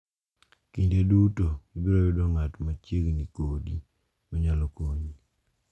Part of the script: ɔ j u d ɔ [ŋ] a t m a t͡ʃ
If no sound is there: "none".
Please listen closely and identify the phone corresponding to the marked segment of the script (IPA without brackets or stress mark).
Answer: ŋ